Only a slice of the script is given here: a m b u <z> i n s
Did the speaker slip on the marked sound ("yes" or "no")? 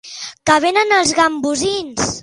no